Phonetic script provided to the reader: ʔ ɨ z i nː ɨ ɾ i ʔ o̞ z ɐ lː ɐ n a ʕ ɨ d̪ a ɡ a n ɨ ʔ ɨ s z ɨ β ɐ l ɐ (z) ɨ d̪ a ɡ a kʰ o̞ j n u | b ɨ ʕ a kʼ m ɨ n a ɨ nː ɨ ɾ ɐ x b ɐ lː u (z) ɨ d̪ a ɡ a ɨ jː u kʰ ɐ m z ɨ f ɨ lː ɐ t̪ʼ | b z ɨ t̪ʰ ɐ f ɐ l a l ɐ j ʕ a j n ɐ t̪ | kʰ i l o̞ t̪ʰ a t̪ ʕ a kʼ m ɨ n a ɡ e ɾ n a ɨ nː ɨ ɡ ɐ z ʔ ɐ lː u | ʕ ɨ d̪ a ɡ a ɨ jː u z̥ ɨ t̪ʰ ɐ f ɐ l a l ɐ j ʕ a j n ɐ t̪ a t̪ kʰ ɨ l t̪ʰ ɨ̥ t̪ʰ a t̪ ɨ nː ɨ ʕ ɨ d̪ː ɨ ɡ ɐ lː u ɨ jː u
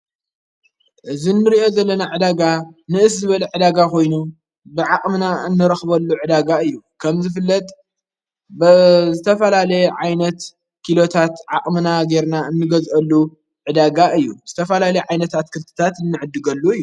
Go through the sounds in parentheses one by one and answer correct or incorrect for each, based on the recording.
incorrect, incorrect

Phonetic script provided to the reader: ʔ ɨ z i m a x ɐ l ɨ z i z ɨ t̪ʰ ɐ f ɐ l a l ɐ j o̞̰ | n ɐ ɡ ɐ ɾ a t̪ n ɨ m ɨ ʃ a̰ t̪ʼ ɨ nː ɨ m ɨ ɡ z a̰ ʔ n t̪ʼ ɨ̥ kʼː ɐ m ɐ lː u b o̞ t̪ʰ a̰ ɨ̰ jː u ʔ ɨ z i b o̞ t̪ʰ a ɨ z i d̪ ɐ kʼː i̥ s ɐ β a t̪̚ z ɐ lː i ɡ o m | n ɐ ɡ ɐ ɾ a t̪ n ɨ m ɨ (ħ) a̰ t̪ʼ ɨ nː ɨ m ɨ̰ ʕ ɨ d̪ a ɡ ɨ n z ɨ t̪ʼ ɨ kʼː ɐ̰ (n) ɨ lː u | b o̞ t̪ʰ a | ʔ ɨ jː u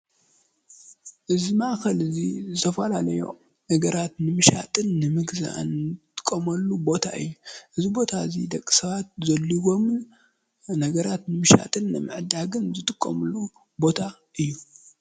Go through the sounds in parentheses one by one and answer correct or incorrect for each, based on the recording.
incorrect, incorrect

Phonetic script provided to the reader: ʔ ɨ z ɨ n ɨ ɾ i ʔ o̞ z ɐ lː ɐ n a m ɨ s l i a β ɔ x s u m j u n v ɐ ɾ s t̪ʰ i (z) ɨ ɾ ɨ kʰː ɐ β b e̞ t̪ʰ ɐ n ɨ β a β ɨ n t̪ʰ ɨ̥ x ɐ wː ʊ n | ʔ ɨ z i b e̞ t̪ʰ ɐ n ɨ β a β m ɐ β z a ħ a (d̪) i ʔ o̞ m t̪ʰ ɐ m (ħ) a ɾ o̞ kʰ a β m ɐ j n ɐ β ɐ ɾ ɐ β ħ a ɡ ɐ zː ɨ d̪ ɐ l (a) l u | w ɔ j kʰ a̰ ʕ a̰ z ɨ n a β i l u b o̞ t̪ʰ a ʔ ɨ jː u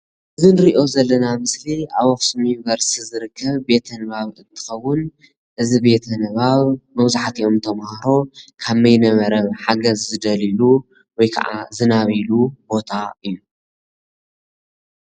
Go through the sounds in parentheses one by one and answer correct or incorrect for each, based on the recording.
correct, incorrect, incorrect, incorrect

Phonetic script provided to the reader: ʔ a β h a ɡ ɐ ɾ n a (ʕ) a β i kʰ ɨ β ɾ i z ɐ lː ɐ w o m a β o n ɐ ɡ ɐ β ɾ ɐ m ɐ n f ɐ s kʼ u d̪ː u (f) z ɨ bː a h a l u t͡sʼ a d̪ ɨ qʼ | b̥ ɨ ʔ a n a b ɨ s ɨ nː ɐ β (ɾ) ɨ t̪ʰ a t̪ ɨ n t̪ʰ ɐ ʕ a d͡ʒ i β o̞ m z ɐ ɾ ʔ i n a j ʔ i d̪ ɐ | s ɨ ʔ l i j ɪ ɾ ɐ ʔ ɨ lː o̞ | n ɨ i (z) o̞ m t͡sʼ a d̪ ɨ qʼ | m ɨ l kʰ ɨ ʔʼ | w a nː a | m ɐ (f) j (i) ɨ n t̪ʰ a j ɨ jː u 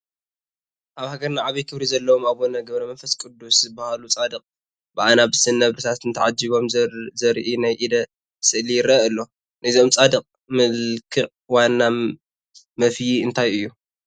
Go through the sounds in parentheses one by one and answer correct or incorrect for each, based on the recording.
correct, incorrect, correct, correct, correct, correct

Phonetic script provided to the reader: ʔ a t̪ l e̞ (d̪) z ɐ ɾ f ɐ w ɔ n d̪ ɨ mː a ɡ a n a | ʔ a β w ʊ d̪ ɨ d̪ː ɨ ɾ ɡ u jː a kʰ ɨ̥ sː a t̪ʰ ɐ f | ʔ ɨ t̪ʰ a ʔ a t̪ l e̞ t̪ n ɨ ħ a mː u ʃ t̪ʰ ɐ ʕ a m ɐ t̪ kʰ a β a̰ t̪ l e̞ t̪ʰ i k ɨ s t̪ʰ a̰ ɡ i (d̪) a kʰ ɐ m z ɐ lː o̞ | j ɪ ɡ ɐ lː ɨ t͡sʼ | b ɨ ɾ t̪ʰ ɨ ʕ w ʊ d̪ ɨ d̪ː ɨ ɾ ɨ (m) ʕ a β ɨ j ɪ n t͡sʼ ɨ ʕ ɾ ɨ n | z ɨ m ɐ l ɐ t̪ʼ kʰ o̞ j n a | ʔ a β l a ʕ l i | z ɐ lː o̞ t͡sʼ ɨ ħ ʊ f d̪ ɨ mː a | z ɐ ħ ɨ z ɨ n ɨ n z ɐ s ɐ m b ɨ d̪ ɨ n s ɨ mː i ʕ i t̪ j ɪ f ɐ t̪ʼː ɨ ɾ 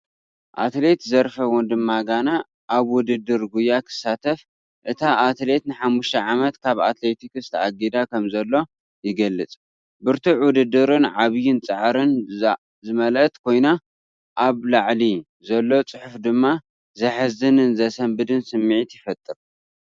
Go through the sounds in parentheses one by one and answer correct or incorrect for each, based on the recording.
incorrect, correct, incorrect

